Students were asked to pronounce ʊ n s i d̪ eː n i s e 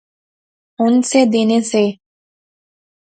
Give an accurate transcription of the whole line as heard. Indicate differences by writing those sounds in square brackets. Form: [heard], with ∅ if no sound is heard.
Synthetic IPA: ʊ n s [e] d̪ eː n [e] s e